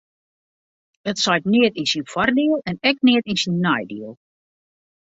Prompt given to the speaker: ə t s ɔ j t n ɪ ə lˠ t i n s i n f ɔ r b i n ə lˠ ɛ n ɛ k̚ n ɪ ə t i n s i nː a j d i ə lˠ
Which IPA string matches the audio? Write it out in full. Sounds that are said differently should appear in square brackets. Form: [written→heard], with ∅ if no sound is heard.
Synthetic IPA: ə t s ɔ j t n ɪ ə [lˠ→∅] t i n s i n f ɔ r [b→d] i [n→∅] ə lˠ ɛ n ɛ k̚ n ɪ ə t i n s i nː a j d i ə lˠ

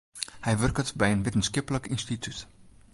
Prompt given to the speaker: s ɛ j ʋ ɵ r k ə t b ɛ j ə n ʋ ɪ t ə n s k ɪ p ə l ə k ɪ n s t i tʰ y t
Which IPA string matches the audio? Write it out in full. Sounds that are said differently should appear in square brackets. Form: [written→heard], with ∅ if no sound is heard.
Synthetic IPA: [s→h] ɛ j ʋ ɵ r k ə t b ɛ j ə n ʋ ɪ t ə n s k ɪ p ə l ə k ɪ n s t i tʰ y t

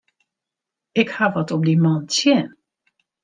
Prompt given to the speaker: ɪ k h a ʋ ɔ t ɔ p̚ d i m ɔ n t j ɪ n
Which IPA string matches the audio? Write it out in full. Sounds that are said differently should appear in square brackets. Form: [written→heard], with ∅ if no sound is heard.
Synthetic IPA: ɪ k h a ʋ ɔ t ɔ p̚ d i m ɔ n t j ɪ n

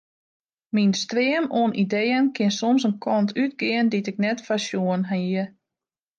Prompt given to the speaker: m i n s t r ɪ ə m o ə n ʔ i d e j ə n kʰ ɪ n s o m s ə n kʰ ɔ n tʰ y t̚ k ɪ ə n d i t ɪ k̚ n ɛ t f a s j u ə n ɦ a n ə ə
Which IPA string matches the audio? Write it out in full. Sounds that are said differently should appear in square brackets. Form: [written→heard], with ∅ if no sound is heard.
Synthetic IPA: m i n s t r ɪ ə m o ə n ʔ i d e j ə n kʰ ɪ n s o m s ə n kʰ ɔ n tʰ y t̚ [k→ɡ] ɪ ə n d i t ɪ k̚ n ɛ t f a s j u ə n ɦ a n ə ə

